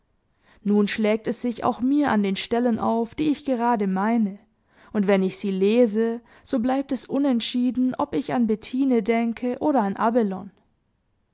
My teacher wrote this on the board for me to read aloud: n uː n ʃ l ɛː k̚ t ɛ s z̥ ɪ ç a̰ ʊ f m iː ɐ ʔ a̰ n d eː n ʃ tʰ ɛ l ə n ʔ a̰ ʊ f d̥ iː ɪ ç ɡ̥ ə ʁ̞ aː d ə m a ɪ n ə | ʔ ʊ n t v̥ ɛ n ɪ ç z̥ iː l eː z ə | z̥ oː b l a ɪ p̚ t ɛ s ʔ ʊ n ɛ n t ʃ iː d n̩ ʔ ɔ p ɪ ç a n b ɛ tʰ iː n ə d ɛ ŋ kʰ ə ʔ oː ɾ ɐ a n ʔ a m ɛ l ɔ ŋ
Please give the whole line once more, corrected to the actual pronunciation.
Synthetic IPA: n uː n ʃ l ɛː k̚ t ɛ s z̥ ɪ ç a̰ ʊ x m iː ɐ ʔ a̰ n d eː n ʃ t ɛ l ə n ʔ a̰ ʊ f d̥ iː ɪ ç ɡ̥ ə ʁ̞ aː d ə m a ɪ n ə | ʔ ʊ n t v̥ ɛ n ɪ ç z̥ iː l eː z ə | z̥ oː b l a ɪ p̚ t ɛ s ʔ ʊ n ɛ n t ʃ iː d n̩ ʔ ɔ p ɪ ç a n b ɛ tʰ iː n ə d ɛ ŋ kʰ ə ʔ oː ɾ ɐ a n ʔ a b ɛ l ɔ n